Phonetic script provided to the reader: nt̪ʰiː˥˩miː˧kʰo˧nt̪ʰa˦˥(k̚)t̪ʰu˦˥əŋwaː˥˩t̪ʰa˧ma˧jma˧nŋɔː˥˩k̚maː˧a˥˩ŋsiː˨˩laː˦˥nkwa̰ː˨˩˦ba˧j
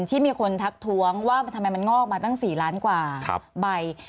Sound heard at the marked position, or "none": k̚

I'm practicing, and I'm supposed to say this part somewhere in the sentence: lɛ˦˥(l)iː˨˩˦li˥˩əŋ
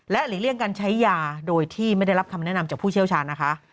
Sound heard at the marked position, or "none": l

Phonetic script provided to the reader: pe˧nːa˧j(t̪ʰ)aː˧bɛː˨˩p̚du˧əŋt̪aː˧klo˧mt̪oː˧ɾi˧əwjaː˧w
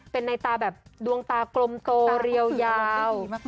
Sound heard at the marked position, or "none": t̪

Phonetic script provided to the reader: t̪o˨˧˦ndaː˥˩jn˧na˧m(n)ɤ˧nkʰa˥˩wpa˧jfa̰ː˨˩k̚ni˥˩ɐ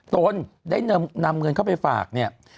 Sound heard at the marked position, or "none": ŋ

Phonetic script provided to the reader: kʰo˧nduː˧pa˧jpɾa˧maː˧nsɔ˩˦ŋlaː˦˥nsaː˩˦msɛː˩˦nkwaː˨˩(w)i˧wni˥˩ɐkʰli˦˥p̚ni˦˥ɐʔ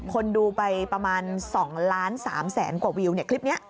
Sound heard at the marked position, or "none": w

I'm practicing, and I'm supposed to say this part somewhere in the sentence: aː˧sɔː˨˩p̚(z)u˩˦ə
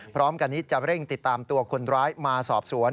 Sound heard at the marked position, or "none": s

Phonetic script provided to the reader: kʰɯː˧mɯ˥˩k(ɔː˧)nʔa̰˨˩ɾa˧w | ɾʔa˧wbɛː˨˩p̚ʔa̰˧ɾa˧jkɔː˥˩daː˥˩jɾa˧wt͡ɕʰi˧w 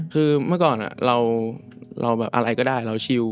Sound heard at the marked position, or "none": ɔː˨˩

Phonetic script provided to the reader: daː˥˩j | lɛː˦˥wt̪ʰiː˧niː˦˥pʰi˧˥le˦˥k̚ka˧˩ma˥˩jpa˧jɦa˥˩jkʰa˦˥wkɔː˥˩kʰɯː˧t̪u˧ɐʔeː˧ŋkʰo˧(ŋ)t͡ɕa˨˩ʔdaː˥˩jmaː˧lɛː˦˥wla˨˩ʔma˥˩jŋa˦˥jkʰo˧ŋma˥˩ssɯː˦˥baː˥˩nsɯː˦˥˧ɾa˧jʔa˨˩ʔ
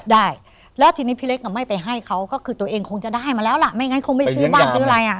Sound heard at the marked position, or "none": ŋ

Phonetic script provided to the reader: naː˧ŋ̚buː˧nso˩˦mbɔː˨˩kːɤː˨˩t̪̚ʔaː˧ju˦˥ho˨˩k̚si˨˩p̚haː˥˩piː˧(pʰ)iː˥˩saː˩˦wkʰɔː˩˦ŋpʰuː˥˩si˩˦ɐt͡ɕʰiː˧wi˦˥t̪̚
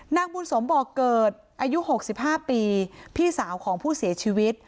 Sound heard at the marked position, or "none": pʰ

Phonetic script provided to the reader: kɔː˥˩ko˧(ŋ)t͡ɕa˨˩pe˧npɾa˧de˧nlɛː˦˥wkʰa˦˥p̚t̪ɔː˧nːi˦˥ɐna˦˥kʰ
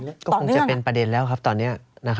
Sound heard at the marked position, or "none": ŋ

